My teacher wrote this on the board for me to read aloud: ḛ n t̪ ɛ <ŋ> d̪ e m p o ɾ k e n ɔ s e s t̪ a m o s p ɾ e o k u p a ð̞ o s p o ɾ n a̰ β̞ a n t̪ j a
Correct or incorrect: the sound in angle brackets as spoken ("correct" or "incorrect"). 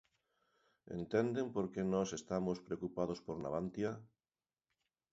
incorrect